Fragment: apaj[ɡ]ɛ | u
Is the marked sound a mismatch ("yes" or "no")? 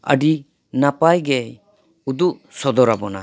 no